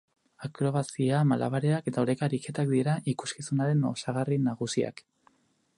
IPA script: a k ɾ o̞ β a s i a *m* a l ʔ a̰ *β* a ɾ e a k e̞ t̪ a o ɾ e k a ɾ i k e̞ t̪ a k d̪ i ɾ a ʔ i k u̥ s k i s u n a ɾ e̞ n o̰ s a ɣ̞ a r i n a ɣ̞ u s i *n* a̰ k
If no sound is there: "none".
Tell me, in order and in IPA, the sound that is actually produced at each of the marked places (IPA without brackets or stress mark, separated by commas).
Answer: m, β, none